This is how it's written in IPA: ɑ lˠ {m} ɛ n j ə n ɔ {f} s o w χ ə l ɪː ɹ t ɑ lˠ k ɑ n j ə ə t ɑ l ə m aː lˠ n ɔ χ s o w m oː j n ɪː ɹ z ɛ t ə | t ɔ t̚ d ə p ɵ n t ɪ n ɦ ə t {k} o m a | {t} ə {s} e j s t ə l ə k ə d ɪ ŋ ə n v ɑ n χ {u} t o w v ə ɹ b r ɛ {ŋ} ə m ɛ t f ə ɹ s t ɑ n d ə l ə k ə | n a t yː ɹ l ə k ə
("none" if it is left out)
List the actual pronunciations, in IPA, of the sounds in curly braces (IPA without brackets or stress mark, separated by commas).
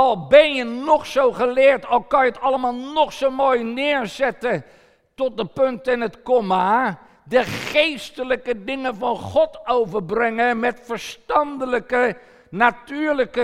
b, χ, k, d, χ, ɔ, ŋ